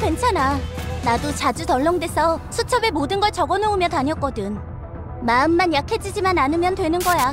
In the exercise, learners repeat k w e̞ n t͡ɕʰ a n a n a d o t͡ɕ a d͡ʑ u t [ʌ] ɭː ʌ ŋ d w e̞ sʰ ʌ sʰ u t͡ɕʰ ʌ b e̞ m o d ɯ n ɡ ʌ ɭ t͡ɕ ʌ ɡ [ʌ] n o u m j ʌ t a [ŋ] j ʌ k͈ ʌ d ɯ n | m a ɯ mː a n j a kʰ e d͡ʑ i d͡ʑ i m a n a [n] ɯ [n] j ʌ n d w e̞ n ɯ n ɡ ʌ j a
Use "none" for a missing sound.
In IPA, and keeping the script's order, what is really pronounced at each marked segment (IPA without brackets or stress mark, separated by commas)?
ʌ, ʌ, ɲ, n, m